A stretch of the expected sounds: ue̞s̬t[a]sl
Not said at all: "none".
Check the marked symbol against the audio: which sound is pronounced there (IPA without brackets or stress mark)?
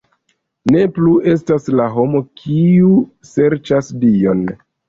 a